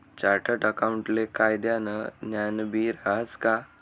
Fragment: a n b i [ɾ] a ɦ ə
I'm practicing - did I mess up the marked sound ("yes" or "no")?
no